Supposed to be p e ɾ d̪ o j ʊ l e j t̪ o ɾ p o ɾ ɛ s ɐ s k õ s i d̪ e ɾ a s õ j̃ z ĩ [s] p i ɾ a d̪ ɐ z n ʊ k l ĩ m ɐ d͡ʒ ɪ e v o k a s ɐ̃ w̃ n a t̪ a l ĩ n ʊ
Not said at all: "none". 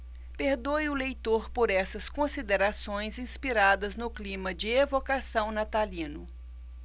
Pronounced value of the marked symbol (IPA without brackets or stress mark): s